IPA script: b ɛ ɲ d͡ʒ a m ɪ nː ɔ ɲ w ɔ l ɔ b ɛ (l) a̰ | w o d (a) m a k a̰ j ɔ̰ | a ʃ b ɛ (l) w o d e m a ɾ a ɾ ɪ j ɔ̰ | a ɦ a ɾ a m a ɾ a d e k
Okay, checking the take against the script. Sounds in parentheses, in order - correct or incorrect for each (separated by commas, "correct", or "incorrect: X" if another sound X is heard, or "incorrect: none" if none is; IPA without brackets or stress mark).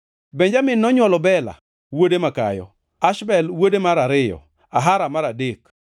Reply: correct, incorrect: e, correct